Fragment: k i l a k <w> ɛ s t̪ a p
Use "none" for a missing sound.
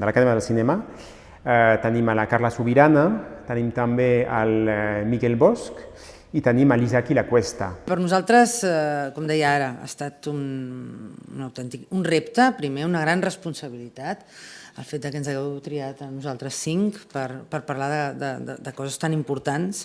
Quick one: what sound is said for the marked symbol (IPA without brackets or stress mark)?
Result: w